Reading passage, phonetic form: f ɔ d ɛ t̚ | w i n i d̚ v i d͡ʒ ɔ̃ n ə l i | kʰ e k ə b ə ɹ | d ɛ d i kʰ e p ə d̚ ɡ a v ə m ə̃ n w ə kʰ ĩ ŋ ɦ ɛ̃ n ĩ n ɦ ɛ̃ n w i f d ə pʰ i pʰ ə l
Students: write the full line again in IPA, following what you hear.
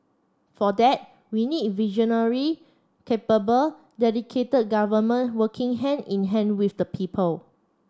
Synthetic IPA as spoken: f ɔ d ɛ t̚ | w i n i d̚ v i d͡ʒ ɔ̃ n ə ɹ i | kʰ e p ə b ə l | d ɛ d i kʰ e t ə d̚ ɡ a v ə m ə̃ n w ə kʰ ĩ ŋ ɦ ɛ̃ n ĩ n ɦ ɛ̃ n w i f d ə pʰ i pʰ ə l